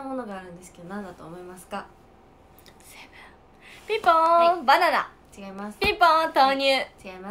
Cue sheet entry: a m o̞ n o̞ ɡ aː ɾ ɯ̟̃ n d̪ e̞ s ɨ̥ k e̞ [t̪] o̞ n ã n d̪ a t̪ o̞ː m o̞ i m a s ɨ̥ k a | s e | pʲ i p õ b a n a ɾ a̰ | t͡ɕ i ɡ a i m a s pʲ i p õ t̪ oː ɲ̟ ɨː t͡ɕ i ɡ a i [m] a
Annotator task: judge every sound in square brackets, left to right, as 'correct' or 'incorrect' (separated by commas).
incorrect, correct